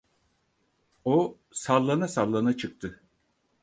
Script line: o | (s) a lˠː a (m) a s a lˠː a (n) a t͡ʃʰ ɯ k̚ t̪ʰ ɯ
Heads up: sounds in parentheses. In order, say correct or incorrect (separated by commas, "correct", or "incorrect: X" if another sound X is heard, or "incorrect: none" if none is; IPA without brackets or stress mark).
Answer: correct, incorrect: n, correct